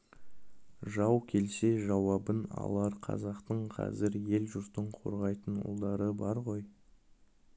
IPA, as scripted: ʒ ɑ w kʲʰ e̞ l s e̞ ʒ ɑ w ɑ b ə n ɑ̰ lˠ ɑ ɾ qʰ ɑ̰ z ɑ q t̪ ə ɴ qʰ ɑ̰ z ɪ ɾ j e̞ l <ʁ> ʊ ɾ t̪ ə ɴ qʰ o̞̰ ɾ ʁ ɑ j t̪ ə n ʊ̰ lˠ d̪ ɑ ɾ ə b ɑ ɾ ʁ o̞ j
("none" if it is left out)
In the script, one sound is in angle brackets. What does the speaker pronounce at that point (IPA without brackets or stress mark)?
ʒ